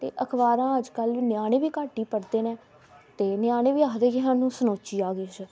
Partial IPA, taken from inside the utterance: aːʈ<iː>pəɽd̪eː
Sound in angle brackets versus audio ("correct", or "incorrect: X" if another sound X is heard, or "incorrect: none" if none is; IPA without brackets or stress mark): correct